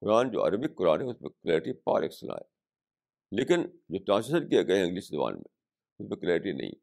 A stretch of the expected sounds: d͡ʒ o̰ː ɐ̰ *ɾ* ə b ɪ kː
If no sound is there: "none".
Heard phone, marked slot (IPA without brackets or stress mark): ɾ